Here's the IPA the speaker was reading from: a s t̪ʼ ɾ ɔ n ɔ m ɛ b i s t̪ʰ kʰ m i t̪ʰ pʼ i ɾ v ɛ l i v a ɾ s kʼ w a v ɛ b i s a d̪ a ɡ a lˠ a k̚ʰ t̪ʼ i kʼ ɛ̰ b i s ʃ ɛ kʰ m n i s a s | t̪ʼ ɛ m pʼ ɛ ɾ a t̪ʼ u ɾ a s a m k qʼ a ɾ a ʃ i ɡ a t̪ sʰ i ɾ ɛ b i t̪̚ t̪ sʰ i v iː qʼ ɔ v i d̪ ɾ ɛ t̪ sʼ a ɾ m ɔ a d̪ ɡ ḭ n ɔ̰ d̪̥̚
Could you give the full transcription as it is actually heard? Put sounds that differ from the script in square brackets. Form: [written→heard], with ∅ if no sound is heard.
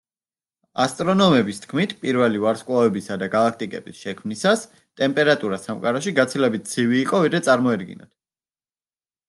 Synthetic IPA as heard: a s t̪ʼ ɾ ɔ n ɔ m ɛ b i s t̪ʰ kʰ m i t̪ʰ pʼ i ɾ v ɛ l i v a ɾ s kʼ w a v ɛ b i s a d̪ a ɡ a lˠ a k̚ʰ t̪ʼ i kʼ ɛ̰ b i s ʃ ɛ kʰ m n i s a s | t̪ʼ ɛ m pʼ ɛ ɾ a t̪ʼ u ɾ a s a m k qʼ a ɾ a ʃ i ɡ a t̪ sʰ i [ɾ→l] ɛ b i t̪̚ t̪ sʰ i v iː qʼ ɔ v i d̪ ɾ ɛ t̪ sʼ a ɾ m ɔ [a→ɛ] d̪ ɡ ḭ n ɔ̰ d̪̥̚

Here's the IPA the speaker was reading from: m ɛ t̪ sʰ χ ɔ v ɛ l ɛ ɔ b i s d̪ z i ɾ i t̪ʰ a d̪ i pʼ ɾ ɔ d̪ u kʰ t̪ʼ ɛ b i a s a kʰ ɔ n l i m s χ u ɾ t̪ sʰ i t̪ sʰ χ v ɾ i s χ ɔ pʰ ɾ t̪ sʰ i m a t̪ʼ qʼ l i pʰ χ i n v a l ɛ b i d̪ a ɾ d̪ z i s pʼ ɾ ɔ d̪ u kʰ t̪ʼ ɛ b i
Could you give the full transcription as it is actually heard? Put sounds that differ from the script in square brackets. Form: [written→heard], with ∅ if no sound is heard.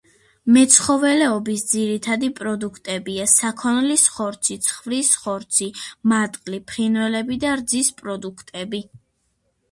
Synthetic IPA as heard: m ɛ t̪ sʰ χ ɔ v ɛ l ɛ ɔ b i s d̪ z i ɾ i t̪ʰ a d̪ i pʼ ɾ ɔ d̪ u kʰ t̪ʼ ɛ b i a s a kʰ ɔ n l i [m→∅] s χ [u→ɔ] ɾ t̪ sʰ i t̪ sʰ χ v ɾ i s χ ɔ [pʰ→∅] ɾ t̪ sʰ i m a t̪ʼ qʼ l i pʰ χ i n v [a→ɛ] l ɛ b i d̪ a ɾ d̪ z i s pʼ ɾ ɔ d̪ u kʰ t̪ʼ ɛ b i

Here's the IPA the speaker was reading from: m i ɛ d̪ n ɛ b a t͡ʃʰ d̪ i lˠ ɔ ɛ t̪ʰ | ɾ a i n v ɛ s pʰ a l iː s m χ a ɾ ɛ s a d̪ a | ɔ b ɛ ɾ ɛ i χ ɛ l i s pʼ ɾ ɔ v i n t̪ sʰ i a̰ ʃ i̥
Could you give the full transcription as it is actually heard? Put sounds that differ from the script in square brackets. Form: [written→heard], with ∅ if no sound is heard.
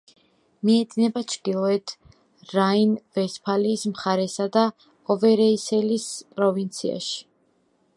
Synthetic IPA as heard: m i ɛ d̪ n ɛ b a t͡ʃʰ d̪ i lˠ ɔ ɛ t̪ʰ | ɾ a i n v ɛ s pʰ a l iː s m χ a ɾ ɛ s a d̪ a | ɔ [b→v] ɛ ɾ ɛ i [χ→s] ɛ l i s pʼ ɾ ɔ v i n t̪ sʰ i a̰ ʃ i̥

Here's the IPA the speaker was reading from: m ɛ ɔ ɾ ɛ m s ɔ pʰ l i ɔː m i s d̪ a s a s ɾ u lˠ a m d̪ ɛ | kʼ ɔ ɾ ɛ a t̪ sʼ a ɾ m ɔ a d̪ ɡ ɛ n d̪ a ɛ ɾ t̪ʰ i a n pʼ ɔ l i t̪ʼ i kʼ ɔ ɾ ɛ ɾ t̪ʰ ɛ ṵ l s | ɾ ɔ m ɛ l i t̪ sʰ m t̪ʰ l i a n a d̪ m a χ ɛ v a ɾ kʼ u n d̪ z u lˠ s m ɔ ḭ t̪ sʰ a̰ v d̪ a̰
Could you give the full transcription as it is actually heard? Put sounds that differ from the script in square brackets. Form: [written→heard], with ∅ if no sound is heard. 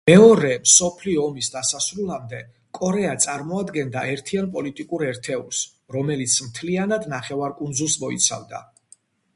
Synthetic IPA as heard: m ɛ ɔ ɾ ɛ m s ɔ pʰ l i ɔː m i s d̪ a s a s ɾ u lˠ a m d̪ ɛ | kʼ ɔ ɾ ɛ a t̪ sʼ a ɾ m ɔ a d̪ ɡ ɛ n d̪ a ɛ ɾ t̪ʰ i a n pʼ ɔ l i t̪ʼ i kʼ [ɔ→u] ɾ ɛ ɾ t̪ʰ ɛ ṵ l s | ɾ ɔ m ɛ l i t̪ sʰ m t̪ʰ l i a n a d̪ [m→n] a χ ɛ v a ɾ kʼ u n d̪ z u lˠ s m ɔ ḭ t̪ sʰ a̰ v d̪ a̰

